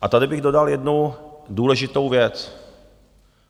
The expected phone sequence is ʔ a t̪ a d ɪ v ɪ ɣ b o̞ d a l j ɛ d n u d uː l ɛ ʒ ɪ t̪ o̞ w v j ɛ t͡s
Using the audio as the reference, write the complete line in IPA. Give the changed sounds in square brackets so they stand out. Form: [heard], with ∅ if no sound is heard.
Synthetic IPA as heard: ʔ a t̪ a d ɪ [b] ɪ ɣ [d] o̞ d a l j ɛ d n u d uː l ɛ ʒ ɪ t̪ o̞ w v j ɛ t͡s